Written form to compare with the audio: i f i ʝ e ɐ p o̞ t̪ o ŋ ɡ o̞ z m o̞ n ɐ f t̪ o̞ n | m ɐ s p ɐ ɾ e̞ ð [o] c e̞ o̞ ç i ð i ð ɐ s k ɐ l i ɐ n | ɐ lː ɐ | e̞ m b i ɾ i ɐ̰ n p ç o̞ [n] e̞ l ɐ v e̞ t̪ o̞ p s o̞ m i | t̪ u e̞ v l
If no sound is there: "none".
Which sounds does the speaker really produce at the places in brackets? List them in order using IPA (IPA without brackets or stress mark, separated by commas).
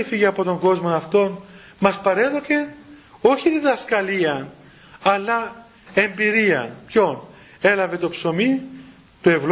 o, n